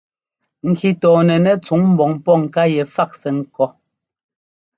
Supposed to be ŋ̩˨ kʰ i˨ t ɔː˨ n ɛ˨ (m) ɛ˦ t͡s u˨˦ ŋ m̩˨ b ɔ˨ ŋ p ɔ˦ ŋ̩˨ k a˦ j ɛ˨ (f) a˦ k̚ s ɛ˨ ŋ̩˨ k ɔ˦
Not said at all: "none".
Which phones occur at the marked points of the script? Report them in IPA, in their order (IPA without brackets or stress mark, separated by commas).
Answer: n, f